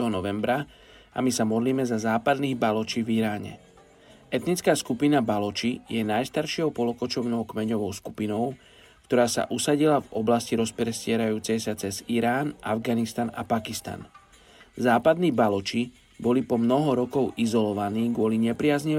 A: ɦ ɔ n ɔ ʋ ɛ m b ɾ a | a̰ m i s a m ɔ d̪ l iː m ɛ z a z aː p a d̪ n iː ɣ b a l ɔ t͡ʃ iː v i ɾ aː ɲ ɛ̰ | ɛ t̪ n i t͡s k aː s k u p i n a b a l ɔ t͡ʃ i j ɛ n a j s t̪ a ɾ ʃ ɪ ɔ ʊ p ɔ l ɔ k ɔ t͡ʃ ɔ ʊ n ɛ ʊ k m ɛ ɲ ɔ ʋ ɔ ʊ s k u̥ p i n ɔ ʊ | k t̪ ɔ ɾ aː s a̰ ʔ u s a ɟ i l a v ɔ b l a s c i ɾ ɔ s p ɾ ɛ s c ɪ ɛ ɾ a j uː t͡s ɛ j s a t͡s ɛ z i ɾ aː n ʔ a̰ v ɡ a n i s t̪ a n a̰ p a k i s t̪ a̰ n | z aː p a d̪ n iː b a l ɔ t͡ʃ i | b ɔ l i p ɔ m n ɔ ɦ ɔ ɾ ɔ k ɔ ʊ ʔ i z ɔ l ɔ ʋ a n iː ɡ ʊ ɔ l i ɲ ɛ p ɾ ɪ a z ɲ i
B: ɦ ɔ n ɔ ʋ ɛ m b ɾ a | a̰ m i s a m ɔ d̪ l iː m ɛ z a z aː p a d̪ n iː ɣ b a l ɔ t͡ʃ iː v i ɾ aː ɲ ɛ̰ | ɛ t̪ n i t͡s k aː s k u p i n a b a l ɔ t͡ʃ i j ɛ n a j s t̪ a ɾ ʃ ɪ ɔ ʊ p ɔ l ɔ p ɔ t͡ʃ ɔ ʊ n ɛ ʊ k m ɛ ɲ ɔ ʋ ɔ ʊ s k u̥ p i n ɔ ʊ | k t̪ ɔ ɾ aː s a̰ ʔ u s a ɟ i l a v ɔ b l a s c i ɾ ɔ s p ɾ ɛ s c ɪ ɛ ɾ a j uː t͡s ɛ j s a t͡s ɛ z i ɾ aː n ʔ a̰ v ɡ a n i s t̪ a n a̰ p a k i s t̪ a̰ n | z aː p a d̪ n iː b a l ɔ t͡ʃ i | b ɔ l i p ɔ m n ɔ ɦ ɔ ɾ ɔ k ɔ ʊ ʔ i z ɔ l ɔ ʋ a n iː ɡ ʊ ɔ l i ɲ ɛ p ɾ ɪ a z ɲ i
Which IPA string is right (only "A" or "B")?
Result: A